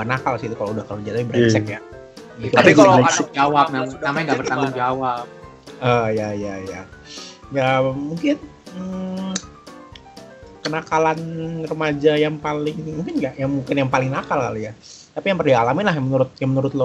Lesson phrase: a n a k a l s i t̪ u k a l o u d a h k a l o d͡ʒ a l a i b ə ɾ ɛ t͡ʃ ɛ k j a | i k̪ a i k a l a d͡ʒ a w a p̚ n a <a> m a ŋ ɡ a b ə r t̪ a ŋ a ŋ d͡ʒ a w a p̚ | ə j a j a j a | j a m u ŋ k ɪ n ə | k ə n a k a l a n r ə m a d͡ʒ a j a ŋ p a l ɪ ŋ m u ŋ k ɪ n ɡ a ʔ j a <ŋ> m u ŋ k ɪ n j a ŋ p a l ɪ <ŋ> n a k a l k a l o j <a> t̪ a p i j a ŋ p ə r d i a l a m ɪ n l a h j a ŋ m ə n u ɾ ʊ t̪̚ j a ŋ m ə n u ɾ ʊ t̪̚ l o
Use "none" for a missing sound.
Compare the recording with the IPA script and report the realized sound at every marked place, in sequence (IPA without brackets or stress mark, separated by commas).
a, ŋ, ŋ, a